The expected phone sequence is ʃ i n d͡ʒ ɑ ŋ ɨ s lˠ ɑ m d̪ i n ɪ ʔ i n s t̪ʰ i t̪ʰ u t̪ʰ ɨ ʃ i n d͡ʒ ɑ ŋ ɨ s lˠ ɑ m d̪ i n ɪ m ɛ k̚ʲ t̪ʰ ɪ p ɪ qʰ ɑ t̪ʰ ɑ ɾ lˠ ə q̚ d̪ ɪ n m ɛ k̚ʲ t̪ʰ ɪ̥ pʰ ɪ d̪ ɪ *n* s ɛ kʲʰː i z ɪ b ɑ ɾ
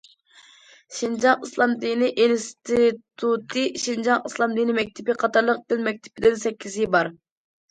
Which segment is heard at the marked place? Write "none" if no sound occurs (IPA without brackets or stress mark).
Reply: n